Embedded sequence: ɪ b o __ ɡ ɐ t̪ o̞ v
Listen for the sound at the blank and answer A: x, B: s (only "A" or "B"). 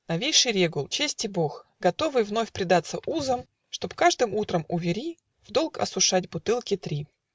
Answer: A